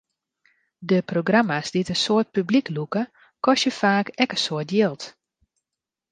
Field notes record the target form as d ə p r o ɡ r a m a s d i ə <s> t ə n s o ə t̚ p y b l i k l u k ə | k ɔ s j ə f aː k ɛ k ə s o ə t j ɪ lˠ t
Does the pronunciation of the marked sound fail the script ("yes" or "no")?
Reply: yes